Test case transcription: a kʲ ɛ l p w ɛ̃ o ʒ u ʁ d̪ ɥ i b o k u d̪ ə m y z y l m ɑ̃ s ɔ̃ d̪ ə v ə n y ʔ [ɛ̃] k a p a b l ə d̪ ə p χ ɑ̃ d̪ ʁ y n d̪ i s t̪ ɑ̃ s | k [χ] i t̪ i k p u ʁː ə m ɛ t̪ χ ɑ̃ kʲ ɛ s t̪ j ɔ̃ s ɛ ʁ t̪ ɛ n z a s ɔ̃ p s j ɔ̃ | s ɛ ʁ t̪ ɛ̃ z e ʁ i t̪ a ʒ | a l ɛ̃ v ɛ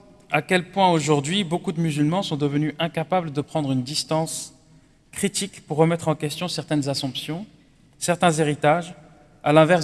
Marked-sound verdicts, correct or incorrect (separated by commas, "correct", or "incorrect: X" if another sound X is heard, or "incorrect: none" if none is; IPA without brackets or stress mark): correct, correct